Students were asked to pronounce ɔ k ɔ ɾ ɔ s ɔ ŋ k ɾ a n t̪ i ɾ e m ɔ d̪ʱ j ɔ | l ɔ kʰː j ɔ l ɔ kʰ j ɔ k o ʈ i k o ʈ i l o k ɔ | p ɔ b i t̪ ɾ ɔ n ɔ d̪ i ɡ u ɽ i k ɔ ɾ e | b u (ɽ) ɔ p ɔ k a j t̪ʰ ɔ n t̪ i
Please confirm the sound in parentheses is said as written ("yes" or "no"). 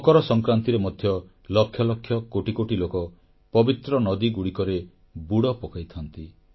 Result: yes